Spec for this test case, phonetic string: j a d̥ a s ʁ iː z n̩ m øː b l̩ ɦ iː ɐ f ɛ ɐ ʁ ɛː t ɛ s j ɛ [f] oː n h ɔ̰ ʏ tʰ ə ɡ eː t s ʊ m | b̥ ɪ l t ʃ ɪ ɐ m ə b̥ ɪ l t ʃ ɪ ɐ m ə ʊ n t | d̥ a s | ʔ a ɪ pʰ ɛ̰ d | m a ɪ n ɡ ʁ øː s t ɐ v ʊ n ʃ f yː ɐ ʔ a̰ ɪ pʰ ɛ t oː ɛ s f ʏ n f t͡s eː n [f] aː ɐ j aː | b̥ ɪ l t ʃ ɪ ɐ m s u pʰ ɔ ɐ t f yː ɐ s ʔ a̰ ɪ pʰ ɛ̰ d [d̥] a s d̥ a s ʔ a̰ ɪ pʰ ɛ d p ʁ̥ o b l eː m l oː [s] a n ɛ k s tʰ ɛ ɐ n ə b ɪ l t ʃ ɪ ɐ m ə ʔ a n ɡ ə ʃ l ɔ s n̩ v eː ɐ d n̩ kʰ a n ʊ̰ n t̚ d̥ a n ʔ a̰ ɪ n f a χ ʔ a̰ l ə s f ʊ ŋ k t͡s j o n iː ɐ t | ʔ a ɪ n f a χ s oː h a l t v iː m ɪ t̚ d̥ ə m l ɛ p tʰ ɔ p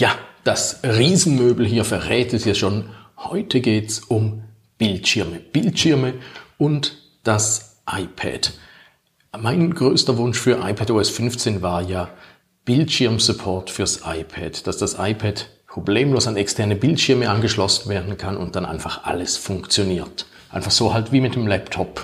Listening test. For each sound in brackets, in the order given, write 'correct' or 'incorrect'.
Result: incorrect, incorrect, correct, correct

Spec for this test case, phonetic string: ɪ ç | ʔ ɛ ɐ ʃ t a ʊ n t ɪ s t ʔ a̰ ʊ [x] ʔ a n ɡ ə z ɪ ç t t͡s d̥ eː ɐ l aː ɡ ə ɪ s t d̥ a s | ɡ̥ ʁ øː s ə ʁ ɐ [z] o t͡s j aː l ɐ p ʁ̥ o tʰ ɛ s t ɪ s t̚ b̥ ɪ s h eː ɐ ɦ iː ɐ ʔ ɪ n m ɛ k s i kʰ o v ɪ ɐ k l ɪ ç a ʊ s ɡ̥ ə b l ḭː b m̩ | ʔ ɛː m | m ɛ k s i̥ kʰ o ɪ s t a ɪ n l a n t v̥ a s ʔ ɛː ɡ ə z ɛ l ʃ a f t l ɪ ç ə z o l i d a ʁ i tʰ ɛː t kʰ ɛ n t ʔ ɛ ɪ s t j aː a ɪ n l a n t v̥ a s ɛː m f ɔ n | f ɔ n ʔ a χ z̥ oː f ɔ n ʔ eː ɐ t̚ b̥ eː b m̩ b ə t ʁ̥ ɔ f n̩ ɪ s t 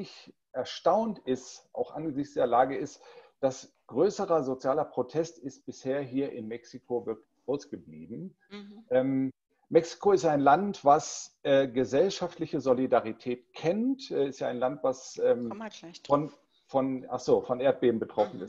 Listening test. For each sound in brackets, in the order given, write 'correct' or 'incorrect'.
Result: correct, correct

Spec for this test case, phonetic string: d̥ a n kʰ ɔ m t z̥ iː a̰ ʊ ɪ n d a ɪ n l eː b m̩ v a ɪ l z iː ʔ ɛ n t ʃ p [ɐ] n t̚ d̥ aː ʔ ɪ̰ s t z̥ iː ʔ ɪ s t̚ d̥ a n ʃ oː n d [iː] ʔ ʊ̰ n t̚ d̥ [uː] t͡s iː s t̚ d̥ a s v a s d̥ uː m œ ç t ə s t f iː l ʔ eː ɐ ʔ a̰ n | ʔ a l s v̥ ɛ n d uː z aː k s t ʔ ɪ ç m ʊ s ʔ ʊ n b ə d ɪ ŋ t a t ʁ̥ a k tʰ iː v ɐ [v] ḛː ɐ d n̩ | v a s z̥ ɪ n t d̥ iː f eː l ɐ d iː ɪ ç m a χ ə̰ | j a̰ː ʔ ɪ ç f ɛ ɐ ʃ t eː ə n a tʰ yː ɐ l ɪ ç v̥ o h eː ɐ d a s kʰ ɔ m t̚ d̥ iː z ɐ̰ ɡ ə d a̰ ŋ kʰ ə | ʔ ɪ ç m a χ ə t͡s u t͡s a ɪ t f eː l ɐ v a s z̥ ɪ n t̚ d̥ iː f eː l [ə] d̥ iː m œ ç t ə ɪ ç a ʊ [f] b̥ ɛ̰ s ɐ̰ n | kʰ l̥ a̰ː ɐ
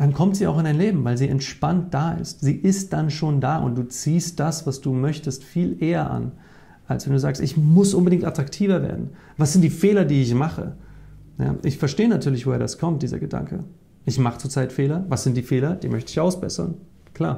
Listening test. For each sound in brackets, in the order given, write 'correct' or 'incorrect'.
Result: incorrect, incorrect, correct, correct, incorrect, incorrect

